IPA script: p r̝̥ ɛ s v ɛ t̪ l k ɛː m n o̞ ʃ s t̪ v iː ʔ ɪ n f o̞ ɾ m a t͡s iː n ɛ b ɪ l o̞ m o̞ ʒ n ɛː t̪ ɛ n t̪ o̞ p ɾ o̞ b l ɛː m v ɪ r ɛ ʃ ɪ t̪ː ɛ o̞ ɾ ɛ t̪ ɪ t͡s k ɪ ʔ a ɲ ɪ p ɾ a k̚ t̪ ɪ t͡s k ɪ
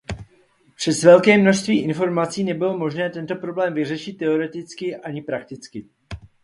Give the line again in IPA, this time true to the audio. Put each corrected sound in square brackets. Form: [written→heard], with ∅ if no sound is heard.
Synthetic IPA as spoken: p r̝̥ ɛ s v ɛ [t̪→∅] l k ɛː m n o̞ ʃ s t̪ v iː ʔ ɪ n f o̞ ɾ m a t͡s iː n ɛ b ɪ l o̞ m o̞ ʒ n ɛː t̪ ɛ n t̪ o̞ p ɾ o̞ b l ɛː m v ɪ r ɛ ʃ ɪ t̪ː ɛ o̞ ɾ ɛ t̪ ɪ t͡s k ɪ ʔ a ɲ ɪ p ɾ a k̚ t̪ ɪ t͡s k ɪ